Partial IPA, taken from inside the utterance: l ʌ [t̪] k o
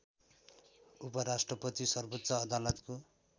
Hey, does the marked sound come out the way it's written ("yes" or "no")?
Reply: yes